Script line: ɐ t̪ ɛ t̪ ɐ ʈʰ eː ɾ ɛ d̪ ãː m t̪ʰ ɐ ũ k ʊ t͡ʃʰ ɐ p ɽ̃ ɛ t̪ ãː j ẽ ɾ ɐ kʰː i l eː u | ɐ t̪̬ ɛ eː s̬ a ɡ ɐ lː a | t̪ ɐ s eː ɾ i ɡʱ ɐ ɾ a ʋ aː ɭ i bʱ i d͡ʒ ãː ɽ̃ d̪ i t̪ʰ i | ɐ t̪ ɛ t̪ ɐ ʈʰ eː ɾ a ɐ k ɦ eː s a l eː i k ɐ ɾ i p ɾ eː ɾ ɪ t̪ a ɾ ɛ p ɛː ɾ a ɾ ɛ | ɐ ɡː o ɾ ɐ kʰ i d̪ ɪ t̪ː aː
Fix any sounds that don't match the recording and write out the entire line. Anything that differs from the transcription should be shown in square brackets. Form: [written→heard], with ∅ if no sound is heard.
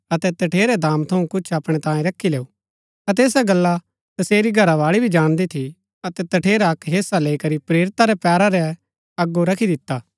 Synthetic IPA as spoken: ɐ t̪ ɛ t̪ ɐ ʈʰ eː ɾ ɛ d̪ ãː m t̪ʰ ɐ ũ k ʊ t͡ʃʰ ɐ p ɽ̃ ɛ t̪ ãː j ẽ ɾ ɐ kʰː i l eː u | ɐ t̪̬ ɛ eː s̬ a ɡ ɐ lː a | t̪ ɐ s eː ɾ i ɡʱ ɐ ɾ a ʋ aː ɭ i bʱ i d͡ʒ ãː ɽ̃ d̪ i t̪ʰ i | ɐ t̪ ɛ t̪ ɐ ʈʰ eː ɾ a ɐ k ɦ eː s a l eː i k ɐ ɾ i p ɾ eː ɾ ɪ t̪ a ɾ ɛ p ɛː ɾ a ɾ ɛ | ɐ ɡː o ɾ ɐ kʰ i d̪ ɪ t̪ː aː